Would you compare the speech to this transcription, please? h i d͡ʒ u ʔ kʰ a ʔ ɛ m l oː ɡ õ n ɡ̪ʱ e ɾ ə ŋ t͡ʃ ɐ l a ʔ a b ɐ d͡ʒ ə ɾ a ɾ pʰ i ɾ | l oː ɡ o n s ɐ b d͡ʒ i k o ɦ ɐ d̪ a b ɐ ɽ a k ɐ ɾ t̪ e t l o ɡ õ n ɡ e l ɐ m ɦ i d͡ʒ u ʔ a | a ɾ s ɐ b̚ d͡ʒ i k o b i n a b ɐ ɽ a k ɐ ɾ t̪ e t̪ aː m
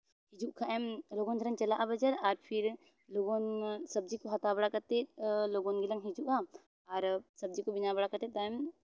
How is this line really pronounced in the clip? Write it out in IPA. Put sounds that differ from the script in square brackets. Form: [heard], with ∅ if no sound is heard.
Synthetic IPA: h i d͡ʒ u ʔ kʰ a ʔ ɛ m l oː ɡ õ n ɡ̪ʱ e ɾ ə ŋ t͡ʃ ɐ l a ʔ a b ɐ d͡ʒ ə ɾ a ɾ pʰ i ɾ | l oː ɡ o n s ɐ b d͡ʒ i k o ɦ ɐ [t̪] a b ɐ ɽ a k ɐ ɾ t̪ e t l o ɡ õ n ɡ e l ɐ [ŋ] ɦ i d͡ʒ u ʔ a | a ɾ s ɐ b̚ d͡ʒ i k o b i n a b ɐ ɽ a k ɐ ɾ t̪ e t̪ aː m